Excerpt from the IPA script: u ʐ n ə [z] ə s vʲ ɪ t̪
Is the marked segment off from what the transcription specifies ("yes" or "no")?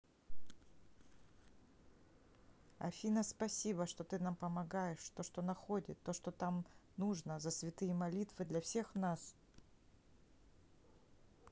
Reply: no